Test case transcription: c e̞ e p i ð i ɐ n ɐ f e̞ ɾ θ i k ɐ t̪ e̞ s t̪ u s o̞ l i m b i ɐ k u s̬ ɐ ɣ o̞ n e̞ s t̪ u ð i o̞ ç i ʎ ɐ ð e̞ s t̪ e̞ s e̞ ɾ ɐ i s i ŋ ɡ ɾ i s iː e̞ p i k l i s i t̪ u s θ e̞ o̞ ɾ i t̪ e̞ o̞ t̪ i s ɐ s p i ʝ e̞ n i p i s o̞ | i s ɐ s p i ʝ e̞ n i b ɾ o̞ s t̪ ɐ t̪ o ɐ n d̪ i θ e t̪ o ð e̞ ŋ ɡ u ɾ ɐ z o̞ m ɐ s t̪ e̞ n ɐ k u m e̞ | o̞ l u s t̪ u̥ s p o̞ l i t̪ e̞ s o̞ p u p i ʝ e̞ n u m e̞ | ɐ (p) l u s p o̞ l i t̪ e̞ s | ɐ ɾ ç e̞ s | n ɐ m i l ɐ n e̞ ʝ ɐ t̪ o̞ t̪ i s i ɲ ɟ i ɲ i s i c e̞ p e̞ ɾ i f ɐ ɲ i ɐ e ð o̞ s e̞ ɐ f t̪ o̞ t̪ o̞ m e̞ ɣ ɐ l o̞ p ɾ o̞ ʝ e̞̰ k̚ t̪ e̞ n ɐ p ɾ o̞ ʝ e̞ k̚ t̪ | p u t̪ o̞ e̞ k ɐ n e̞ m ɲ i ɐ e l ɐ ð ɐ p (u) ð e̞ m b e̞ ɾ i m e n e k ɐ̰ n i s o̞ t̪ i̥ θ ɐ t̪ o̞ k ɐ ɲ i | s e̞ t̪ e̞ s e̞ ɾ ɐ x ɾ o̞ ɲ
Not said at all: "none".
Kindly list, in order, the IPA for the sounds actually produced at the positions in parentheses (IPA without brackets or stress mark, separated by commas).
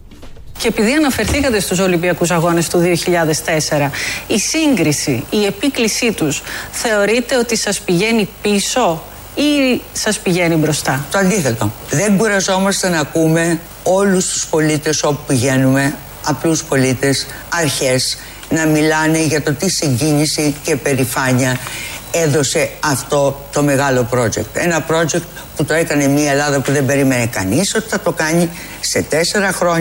p, u